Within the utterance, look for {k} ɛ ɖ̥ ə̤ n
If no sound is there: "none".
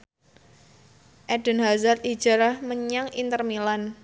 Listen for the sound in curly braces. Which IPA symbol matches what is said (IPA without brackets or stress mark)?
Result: ʔ